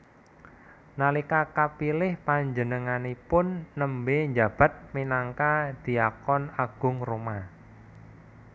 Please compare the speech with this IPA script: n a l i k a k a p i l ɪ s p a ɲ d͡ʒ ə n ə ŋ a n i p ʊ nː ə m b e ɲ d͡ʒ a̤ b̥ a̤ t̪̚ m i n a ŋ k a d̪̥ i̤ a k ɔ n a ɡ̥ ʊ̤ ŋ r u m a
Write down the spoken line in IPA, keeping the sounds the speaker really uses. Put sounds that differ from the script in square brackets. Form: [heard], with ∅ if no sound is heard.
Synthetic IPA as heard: n a l i k a k a p i l ɪ [h] p a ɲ d͡ʒ ə n ə ŋ a n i p ʊ nː ə m b e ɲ d͡ʒ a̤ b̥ a̤ t̪̚ m i n a ŋ k a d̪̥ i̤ a k ɔ n a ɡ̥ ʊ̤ ŋ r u m a